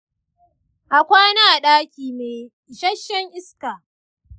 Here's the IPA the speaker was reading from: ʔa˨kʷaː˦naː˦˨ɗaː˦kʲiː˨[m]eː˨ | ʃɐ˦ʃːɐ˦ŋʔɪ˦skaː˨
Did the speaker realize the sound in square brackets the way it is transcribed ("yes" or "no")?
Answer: yes